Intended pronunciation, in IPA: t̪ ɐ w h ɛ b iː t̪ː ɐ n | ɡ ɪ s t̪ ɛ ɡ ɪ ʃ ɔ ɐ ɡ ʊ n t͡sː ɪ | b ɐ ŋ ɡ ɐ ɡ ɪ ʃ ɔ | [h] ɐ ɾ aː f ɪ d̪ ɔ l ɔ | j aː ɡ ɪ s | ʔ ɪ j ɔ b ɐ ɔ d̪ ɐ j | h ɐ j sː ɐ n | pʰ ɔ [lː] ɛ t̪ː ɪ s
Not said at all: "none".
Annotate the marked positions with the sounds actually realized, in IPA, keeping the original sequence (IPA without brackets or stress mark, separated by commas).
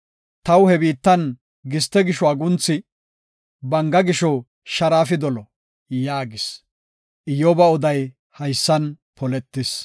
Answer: ʃ, l